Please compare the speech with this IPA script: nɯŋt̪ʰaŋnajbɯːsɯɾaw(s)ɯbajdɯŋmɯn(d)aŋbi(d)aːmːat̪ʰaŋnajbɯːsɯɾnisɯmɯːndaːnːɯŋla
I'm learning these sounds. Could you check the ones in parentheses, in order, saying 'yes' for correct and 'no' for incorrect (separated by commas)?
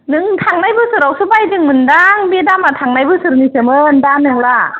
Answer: yes, yes, yes